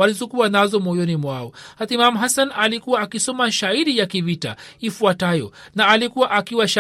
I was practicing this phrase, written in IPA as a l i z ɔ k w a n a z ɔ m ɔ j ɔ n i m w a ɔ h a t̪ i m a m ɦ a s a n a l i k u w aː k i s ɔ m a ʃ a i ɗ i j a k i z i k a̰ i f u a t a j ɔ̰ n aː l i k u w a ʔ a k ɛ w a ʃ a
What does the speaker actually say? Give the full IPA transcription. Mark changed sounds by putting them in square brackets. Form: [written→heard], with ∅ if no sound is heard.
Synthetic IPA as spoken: a l i z ɔ k [w→u] a n a z ɔ m ɔ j ɔ n i m w a ɔ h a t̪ i m a m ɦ a s a n a l i k u w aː k i s ɔ m a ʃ a i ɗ i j a k i [z→v] i [k→t] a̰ i f u a t a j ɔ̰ n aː l i k u w a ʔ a k [ɛ→i] w a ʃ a